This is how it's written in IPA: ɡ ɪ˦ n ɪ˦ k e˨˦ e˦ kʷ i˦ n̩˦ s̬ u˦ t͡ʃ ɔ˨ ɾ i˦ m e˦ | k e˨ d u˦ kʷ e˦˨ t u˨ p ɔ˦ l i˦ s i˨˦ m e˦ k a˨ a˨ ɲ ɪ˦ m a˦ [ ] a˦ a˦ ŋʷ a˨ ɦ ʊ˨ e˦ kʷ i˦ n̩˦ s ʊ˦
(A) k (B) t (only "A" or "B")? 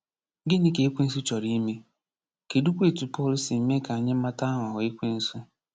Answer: B